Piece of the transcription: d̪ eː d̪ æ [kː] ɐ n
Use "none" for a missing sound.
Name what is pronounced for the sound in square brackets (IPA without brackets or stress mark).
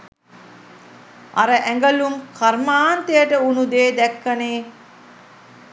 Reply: kː